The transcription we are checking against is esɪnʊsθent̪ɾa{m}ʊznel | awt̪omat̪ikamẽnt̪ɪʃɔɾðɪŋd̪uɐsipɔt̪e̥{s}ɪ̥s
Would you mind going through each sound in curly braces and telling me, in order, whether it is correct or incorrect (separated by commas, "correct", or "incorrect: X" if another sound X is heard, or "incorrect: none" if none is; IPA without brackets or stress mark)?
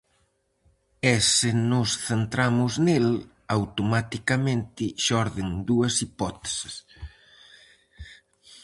correct, correct